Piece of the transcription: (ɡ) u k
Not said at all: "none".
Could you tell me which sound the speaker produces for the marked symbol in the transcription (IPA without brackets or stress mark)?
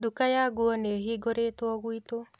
d